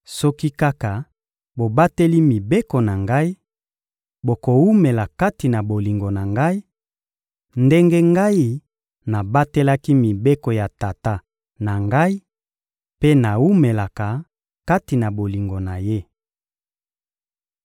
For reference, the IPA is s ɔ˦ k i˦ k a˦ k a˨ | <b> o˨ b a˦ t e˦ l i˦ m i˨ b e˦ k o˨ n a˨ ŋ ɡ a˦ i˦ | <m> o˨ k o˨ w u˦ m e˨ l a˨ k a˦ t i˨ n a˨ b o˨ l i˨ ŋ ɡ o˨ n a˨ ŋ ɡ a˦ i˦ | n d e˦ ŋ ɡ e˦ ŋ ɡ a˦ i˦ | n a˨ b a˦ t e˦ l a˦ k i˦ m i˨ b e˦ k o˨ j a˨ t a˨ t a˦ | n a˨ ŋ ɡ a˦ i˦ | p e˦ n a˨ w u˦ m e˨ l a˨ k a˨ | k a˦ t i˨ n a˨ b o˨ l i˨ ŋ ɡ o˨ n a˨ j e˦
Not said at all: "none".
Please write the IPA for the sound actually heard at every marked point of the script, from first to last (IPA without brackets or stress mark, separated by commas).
b, b